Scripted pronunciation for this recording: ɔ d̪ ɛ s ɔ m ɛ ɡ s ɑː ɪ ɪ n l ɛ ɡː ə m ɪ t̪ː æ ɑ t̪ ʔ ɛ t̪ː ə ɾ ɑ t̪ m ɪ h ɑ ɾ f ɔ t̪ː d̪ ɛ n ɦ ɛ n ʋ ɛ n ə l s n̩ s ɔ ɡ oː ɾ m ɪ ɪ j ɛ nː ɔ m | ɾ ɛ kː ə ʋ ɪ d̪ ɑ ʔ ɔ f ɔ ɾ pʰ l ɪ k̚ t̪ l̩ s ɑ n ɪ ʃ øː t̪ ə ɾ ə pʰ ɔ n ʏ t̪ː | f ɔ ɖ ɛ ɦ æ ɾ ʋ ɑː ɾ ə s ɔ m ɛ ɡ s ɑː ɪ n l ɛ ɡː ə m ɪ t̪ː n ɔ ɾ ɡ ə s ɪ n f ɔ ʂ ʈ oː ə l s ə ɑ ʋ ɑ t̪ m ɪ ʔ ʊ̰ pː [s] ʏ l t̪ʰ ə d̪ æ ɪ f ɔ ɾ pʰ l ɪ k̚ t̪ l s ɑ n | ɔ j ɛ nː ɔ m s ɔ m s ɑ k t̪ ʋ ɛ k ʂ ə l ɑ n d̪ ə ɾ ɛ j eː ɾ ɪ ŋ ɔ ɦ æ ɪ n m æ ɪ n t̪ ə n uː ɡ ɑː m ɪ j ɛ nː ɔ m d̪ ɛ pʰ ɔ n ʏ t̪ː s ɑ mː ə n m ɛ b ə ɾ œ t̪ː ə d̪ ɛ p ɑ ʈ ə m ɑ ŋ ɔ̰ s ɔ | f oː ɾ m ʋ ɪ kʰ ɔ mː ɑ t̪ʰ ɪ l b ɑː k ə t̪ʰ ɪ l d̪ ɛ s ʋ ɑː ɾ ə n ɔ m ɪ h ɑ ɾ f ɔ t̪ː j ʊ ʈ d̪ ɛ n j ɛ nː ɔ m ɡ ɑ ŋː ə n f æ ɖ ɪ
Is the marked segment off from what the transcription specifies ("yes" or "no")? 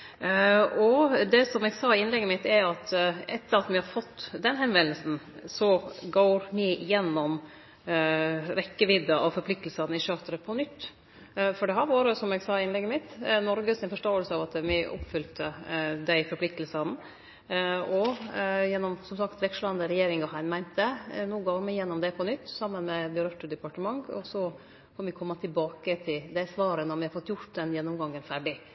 yes